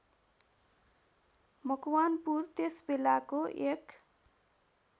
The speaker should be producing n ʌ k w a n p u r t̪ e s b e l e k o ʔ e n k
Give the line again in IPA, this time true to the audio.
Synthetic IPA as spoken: m ʌ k w a n p u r t̪ e s b e l a k o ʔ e k